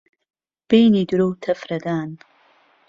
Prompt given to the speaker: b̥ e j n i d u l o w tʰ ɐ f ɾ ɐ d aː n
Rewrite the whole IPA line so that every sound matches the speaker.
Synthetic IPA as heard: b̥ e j n i d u ɾ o w tʰ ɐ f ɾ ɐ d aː n